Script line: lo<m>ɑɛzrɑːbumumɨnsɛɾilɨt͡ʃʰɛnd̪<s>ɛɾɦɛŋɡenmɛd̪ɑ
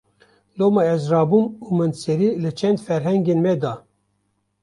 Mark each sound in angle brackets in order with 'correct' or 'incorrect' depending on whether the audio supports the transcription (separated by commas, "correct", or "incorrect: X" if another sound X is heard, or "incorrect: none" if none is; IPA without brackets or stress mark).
correct, incorrect: f